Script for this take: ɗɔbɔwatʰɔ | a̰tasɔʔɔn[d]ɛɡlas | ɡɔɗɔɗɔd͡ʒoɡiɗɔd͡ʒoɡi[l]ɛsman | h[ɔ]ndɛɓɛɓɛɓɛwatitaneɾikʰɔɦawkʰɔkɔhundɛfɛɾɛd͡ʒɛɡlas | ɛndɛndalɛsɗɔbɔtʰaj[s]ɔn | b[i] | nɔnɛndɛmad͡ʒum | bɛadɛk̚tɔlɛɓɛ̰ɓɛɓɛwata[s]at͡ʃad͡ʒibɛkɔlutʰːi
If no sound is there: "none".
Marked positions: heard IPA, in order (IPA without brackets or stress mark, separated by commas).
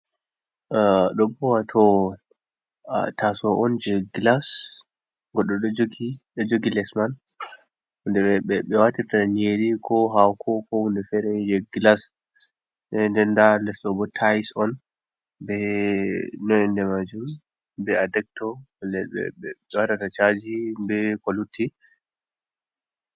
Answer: d͡ʒ, l, u, s, ɛ, t